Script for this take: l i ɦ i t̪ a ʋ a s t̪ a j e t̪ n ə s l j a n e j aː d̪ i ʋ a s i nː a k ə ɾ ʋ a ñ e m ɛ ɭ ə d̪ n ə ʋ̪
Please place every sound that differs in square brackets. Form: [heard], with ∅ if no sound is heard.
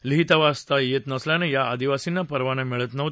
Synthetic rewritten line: l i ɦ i t̪ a ʋ a s t̪ a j e t̪ n ə s l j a n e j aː d̪ i ʋ a s i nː a [p] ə ɾ ʋ a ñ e m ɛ ɭ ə [t̪] n ə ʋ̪